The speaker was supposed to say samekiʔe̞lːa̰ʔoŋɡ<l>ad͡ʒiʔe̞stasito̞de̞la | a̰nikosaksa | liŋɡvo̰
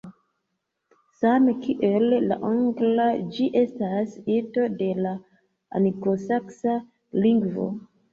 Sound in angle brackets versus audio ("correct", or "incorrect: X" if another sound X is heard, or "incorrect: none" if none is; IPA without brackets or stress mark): correct